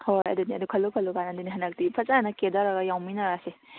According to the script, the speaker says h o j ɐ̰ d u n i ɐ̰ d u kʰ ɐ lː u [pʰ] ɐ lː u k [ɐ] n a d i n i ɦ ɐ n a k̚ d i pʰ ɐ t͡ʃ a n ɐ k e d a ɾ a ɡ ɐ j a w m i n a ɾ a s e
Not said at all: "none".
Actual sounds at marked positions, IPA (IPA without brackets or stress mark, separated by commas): kʰ, a